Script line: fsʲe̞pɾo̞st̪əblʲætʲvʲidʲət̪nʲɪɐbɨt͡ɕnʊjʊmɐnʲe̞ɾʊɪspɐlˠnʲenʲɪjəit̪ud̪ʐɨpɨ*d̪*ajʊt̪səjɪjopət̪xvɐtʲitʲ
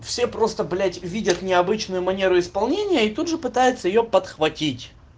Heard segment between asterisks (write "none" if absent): t̪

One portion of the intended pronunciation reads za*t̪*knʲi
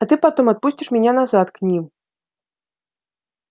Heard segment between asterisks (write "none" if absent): t̪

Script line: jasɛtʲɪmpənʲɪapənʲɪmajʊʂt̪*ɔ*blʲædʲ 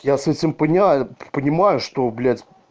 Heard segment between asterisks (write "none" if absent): o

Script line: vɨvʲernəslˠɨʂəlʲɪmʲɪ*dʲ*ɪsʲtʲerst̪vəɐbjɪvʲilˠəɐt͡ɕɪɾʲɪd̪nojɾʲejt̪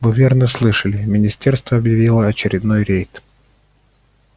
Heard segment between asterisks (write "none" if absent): nʲ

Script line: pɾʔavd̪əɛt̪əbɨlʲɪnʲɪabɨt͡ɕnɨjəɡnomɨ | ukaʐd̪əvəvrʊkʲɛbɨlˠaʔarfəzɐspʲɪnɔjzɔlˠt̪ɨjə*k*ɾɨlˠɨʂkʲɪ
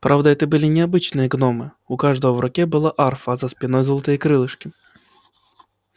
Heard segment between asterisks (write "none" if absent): k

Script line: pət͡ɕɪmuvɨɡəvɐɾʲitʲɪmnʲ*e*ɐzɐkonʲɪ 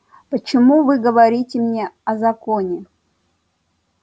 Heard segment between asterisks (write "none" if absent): e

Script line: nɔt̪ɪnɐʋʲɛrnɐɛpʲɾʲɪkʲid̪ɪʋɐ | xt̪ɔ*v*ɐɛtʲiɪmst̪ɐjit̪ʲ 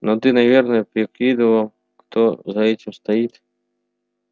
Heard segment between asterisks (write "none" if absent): z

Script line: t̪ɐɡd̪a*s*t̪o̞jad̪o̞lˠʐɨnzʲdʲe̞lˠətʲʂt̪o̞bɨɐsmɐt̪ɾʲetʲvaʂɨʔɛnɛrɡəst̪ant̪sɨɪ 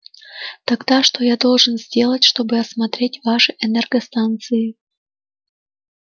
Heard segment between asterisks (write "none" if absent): ʂ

